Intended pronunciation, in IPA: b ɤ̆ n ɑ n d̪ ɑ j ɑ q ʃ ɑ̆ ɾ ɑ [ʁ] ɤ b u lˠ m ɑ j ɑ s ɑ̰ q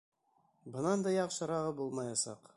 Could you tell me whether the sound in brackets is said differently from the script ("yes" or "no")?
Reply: no